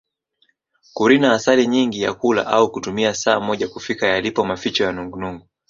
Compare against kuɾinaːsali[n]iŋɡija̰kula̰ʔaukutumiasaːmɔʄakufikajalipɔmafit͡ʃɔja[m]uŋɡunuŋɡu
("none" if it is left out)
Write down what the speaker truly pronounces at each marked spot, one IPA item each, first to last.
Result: ɲ, n

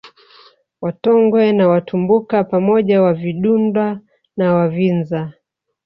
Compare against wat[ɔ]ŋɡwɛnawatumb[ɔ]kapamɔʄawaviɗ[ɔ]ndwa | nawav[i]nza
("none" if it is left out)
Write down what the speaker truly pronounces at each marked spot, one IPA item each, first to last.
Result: ɔ, u, u, i

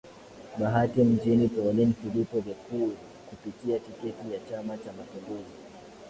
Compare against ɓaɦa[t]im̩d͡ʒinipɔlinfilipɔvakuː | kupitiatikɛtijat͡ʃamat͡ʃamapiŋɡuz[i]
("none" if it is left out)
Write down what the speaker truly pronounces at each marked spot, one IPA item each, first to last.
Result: t, i

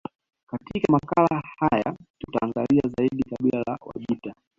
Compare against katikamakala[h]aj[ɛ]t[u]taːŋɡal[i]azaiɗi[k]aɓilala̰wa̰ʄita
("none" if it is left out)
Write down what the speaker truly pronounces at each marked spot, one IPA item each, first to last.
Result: h, a, u, i, k

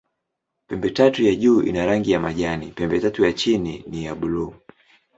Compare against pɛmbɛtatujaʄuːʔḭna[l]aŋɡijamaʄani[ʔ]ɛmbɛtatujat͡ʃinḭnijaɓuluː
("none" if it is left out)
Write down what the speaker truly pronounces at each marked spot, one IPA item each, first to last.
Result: ɾ, p

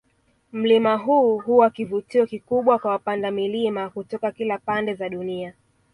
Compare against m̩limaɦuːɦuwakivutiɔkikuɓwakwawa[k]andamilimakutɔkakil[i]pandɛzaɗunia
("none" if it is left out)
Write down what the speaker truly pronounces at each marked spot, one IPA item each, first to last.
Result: p, a

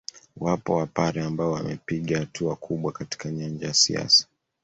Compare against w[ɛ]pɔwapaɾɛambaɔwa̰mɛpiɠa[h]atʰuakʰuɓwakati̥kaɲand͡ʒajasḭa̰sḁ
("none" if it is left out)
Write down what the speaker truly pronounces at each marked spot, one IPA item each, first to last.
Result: a, h

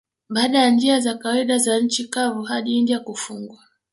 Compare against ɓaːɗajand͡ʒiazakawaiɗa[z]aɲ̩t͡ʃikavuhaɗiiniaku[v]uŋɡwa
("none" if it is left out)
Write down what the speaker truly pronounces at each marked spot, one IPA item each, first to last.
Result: z, f

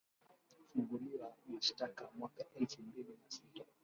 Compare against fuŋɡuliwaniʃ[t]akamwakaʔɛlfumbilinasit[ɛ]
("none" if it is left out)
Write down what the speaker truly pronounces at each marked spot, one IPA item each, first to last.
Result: t, a

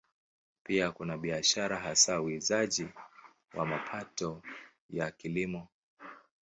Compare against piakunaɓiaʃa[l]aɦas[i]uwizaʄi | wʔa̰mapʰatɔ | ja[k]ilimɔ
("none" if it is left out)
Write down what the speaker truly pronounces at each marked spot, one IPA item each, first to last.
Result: ɾ, a, k

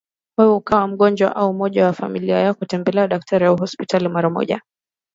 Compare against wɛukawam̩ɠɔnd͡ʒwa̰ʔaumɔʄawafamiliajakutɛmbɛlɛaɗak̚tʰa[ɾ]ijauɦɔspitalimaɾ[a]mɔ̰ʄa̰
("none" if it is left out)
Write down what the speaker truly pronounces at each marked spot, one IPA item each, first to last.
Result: ɾ, a

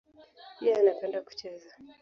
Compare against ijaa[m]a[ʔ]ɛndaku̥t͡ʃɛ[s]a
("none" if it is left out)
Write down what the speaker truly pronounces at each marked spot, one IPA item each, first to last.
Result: n, p, z

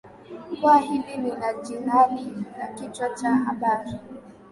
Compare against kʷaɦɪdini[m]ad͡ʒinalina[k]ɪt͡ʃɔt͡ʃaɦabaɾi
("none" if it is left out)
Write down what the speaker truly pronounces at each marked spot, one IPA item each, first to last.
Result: n, k

